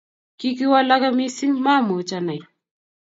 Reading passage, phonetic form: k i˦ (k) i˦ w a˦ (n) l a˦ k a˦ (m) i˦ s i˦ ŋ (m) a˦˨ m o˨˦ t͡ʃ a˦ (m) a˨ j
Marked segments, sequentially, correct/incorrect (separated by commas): correct, incorrect, correct, correct, incorrect